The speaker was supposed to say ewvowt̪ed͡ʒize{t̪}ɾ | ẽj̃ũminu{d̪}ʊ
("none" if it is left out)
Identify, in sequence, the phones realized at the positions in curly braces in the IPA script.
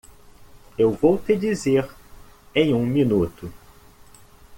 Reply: none, t̪

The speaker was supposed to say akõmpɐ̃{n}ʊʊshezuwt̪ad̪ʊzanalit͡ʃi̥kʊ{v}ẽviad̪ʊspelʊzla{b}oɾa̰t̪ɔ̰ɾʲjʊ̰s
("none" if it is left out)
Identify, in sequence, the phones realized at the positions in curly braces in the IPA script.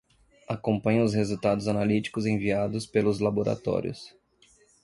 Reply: ɲ, z, b

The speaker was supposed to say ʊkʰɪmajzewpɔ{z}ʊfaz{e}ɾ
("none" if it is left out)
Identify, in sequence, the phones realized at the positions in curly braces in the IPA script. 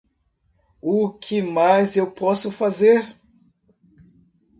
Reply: s, e

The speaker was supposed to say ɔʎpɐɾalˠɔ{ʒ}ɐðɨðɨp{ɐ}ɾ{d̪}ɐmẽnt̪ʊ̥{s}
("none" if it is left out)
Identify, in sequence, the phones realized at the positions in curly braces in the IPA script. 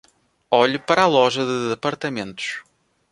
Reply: ʒ, ɐ, t̪, ʃ

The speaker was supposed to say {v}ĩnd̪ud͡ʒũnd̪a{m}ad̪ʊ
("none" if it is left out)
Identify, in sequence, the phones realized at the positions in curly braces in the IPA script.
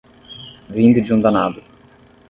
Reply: v, n

